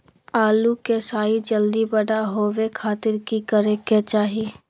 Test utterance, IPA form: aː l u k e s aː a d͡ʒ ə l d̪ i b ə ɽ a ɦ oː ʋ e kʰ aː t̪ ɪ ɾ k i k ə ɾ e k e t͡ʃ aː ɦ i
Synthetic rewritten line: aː l u k e s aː i d͡ʒ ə l d̪ i b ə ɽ a ɦ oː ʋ e kʰ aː t̪ ɪ ɾ k i k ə ɾ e k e t͡ʃ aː ɦ i